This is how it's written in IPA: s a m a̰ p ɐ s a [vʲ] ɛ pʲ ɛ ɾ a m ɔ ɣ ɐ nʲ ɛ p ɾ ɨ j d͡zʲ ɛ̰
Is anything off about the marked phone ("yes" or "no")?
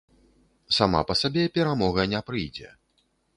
yes